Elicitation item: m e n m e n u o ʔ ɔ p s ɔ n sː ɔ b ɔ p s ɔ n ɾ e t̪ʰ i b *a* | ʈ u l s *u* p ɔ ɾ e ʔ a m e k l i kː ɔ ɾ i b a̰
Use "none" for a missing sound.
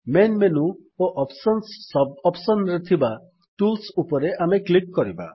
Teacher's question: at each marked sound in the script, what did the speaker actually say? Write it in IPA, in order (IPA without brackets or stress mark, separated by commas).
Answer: a, u